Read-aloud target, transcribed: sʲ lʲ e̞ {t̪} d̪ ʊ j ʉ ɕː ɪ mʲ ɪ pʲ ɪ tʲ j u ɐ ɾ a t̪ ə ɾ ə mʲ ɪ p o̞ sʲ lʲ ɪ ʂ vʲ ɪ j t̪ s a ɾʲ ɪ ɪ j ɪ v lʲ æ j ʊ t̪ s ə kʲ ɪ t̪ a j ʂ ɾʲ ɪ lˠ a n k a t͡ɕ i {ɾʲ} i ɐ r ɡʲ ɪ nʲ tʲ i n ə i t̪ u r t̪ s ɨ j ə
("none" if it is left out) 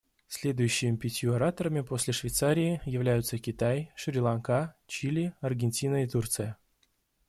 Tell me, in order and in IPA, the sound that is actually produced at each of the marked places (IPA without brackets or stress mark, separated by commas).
none, lʲ